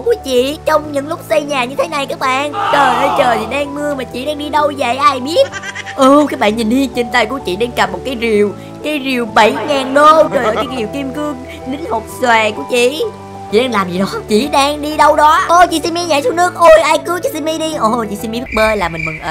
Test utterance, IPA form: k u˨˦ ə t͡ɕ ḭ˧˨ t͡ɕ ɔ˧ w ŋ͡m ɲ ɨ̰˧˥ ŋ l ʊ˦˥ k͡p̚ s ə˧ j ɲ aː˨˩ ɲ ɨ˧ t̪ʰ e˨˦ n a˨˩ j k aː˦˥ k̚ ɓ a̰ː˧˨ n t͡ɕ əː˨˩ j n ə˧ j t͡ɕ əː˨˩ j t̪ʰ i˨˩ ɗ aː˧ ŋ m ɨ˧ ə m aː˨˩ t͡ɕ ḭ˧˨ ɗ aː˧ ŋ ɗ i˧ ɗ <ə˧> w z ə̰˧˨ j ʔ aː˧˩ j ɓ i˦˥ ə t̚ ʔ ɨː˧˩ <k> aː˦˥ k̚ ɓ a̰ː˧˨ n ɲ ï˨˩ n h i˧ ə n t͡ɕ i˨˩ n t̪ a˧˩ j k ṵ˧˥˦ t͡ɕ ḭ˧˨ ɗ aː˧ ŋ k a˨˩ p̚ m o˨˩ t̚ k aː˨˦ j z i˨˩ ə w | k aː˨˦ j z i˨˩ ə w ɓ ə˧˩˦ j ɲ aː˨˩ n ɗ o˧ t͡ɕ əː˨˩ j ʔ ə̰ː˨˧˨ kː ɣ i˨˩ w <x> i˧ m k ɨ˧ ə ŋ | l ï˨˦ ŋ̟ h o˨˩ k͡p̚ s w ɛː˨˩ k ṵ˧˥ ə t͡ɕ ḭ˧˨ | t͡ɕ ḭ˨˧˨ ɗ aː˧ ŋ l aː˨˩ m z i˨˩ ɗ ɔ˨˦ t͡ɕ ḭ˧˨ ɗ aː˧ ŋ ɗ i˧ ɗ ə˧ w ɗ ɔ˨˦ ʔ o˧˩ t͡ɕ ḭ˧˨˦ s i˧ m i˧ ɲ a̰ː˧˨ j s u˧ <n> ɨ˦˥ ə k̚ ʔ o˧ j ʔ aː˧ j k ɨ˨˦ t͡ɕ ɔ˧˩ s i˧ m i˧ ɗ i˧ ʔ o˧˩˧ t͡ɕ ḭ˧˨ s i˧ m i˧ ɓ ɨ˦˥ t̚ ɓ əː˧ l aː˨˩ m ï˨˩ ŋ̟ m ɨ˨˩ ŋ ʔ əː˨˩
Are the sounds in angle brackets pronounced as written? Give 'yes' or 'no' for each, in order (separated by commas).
yes, yes, no, yes